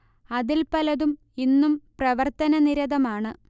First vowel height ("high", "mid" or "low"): low